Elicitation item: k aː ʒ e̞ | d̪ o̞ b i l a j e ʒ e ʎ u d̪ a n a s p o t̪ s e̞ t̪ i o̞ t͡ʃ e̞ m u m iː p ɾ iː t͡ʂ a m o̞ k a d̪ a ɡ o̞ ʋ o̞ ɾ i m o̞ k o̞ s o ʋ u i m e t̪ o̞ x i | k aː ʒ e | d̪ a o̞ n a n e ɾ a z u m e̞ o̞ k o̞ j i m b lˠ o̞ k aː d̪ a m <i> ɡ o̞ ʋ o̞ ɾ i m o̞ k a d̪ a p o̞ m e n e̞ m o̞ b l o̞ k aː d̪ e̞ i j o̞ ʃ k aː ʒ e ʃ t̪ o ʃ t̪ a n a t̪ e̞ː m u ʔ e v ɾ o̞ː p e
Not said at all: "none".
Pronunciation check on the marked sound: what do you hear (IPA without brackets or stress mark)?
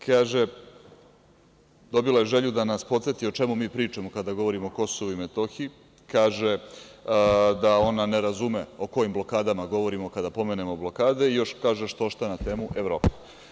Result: a